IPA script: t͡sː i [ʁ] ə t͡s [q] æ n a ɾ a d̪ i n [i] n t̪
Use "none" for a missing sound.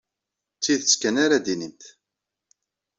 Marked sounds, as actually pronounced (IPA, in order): ð, k, i

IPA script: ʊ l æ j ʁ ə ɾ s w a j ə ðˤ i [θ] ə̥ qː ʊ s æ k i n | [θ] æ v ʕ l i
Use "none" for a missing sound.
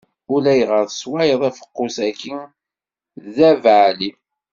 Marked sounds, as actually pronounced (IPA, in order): f, ð

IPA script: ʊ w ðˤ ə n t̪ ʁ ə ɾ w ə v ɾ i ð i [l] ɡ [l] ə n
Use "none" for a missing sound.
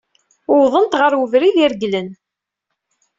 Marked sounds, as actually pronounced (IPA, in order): ɾ, l

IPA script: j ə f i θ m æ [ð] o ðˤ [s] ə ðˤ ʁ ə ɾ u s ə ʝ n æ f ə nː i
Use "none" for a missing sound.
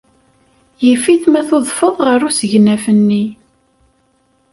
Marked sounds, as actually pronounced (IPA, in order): θ, f

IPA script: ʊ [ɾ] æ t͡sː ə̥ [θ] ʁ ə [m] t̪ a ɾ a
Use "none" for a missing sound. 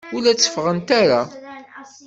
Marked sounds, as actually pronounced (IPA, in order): l, f, n

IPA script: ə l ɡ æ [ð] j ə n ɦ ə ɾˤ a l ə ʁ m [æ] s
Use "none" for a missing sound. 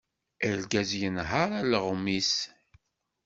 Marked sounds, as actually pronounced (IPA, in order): z, i

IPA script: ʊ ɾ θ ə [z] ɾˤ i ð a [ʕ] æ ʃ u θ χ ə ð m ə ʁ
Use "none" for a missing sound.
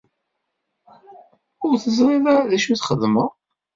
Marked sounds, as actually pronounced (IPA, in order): z, ð

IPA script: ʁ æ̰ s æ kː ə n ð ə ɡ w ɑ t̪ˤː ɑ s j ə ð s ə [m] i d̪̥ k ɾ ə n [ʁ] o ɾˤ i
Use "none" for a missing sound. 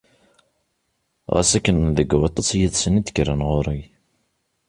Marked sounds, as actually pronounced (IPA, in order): n, ʁ

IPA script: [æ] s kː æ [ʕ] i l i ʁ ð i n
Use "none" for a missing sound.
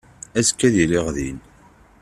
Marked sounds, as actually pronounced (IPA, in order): æ, ð

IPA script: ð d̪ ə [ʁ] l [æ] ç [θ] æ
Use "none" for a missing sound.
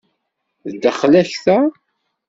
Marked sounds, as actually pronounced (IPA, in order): χ, æ, θ

